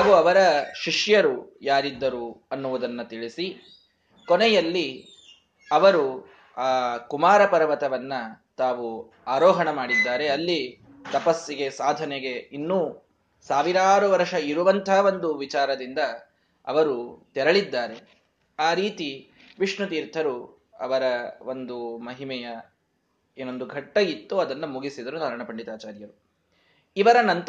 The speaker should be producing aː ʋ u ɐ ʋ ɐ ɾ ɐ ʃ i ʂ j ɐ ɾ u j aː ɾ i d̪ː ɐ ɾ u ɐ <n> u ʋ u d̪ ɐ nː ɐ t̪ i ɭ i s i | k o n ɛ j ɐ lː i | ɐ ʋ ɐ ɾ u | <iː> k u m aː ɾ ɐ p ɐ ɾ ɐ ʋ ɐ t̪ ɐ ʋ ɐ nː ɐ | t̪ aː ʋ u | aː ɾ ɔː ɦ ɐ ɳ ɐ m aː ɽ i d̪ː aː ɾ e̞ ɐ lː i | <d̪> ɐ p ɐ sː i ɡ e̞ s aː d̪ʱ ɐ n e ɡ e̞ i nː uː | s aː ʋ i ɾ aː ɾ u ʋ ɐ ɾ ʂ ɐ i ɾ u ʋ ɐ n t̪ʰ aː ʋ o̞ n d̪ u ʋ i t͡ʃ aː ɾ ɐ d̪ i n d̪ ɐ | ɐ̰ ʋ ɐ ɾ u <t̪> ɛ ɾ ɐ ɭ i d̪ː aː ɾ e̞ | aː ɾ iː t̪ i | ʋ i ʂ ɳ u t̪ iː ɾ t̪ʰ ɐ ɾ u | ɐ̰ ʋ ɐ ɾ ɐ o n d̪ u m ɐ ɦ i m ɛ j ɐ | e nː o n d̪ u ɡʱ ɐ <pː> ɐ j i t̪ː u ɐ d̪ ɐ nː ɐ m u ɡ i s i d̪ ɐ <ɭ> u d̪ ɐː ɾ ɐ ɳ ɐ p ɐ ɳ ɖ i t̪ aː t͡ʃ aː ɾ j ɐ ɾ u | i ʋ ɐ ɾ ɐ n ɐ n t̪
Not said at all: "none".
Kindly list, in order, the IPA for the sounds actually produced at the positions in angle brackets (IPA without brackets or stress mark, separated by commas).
nː, aː, t̪, t̪, ʈː, ɾ